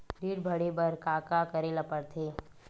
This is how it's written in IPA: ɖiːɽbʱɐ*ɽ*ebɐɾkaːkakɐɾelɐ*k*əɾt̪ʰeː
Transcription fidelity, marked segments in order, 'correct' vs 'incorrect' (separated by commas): correct, incorrect